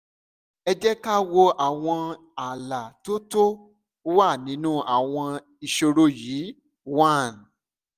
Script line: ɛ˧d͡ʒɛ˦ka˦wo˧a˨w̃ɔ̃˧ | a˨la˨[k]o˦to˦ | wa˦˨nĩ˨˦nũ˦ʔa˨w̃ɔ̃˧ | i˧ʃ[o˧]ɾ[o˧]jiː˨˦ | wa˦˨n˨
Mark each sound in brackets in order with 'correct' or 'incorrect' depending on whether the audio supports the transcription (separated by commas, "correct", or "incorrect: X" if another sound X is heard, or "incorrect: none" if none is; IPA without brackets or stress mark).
incorrect: t, correct, correct